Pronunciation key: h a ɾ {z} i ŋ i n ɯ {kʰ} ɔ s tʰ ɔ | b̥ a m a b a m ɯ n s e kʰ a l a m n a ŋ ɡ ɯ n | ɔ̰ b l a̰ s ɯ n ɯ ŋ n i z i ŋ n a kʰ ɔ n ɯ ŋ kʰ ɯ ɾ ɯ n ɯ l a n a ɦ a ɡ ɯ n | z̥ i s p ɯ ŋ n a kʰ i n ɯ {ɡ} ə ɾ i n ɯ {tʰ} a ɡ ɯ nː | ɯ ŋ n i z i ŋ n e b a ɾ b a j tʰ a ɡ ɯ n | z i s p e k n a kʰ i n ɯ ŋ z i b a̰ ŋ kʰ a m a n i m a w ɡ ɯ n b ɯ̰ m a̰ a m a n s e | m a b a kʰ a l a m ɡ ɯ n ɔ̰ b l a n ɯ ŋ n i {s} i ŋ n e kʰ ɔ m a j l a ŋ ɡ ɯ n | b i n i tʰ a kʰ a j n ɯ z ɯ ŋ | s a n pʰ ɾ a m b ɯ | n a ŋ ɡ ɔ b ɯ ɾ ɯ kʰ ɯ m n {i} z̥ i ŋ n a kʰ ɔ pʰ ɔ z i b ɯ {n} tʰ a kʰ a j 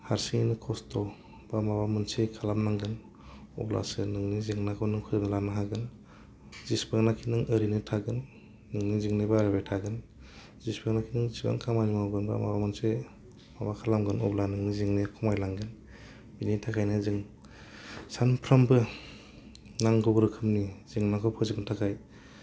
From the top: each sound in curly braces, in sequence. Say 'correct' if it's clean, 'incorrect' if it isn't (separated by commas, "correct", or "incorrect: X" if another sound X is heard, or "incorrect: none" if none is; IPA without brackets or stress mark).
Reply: incorrect: s, correct, incorrect: ŋ, correct, incorrect: z, correct, correct